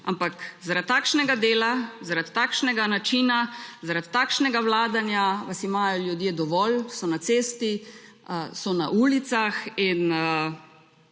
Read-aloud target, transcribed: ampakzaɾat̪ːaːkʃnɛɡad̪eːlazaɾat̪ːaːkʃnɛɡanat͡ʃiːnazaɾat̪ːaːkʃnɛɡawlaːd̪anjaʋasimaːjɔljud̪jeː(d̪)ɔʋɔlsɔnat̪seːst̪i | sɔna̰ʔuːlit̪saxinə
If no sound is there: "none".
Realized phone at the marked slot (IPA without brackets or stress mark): d̪